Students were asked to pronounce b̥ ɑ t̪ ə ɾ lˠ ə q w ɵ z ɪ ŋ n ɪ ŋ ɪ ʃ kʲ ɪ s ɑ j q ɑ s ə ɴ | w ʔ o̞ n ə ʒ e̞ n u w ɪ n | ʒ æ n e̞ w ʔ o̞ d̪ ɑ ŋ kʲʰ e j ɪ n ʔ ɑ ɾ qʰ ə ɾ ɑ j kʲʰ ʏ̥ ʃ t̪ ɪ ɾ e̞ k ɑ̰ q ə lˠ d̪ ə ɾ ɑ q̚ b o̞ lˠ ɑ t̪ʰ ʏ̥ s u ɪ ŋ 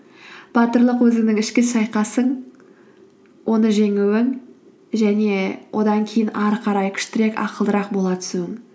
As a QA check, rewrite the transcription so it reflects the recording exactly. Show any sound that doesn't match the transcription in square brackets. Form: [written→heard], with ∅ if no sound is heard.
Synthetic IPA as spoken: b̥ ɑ t̪ ə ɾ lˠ ə q w ɵ z ɪ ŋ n ɪ ŋ ɪ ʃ kʲ ɪ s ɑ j q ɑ s ə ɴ | w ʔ o̞ n ə ʒ e̞ [n→ŋ] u w ɪ [n→ŋ] | ʒ æ n e̞ w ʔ o̞ d̪ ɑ ŋ kʲʰ e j ɪ n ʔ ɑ ɾ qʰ [ə→ɑ] ɾ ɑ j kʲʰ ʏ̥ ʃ t̪ ɪ ɾ e̞ k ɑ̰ q ə lˠ d̪ ə ɾ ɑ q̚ b o̞ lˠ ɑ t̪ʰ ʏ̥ s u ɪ ŋ